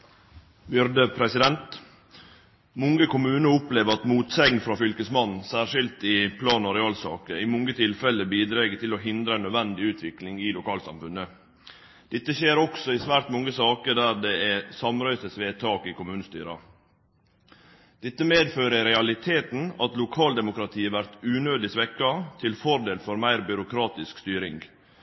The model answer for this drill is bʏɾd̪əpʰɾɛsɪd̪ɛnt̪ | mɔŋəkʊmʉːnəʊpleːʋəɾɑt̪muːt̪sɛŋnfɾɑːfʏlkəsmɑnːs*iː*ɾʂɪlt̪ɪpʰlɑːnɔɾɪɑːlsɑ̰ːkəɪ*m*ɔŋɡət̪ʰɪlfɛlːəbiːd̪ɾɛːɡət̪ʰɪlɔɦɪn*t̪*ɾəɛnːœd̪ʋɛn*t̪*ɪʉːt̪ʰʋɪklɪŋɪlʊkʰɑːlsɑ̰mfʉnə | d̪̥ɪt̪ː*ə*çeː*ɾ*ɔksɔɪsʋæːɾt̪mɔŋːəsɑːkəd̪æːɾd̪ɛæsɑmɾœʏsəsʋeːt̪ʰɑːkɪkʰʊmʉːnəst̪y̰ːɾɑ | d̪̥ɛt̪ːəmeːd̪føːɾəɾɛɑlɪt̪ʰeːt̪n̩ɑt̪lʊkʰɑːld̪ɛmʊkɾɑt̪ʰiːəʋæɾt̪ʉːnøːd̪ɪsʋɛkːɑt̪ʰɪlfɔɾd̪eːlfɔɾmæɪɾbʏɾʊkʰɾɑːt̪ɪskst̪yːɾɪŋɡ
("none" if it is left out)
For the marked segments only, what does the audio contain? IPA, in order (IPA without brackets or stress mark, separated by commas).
æː, m, d̪, d̪, ə, ɾ